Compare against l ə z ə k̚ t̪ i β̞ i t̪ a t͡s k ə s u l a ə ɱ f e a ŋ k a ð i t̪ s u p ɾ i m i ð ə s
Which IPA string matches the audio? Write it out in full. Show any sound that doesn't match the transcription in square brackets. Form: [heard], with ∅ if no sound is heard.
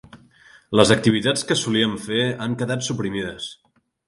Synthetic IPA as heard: l ə z ə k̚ t̪ i β̞ i t̪ a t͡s k ə s u l [i] ə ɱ f e a ŋ k [ə] ð [a] t̪ s u p ɾ i m i ð ə s